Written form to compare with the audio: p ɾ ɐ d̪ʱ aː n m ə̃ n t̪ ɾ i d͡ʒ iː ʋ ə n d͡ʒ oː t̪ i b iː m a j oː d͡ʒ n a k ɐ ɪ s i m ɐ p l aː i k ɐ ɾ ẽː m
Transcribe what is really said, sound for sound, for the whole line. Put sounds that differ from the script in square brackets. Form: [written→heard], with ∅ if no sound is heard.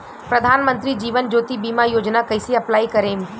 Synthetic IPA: p ɾ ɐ d̪ʱ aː n m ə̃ n t̪ ɾ i d͡ʒ iː ʋ ə n d͡ʒ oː t̪ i b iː m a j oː d͡ʒ n a k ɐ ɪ s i [m→∅] ɐ p l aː i k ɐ ɾ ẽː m